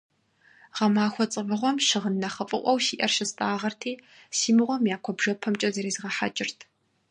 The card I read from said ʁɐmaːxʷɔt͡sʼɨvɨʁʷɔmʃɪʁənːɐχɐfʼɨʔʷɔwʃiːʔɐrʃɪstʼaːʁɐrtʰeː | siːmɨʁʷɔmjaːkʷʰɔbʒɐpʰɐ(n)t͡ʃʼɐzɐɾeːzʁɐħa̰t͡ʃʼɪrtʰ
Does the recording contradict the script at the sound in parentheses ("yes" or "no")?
yes